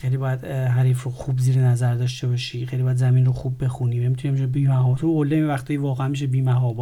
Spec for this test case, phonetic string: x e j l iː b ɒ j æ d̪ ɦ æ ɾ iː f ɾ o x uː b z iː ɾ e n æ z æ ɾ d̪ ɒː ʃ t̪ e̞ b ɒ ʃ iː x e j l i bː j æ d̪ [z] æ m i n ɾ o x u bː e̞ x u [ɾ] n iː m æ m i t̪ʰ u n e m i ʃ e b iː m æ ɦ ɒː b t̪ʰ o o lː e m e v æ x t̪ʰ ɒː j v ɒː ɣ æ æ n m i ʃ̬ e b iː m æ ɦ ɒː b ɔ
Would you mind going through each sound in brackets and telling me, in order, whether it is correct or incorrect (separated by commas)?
correct, incorrect